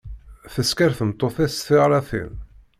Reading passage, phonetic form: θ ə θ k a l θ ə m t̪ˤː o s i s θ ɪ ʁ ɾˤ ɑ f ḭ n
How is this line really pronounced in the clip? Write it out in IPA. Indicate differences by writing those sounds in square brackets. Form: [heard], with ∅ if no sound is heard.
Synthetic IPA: θ ə [s] k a [ɾ] θ ə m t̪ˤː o [θ] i s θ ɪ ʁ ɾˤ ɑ [θ] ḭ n